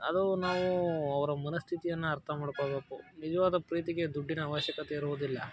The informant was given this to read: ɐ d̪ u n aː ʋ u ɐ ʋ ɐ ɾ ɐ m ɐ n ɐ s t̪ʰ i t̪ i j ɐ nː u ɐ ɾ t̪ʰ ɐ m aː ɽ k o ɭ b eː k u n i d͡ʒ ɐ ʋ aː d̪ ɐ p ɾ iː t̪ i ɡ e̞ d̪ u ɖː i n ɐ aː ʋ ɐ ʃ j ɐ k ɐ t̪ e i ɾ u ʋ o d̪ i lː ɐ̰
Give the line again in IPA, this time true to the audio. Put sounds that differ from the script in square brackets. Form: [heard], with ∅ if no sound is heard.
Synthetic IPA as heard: ɐ d̪ u n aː ʋ u ɐ ʋ ɐ ɾ ɐ m ɐ n ɐ s t̪ʰ i t̪ i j ɐ nː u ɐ ɾ t̪ʰ ɐ m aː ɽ k o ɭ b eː k u n i d͡ʒ ɐ ʋ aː d̪ ɐ p ɾ iː t̪ i ɡ e̞ d̪ u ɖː i n ɐ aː ʋ ɐ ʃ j ɐ k ɐ t̪ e i ɾ u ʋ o d̪ i lː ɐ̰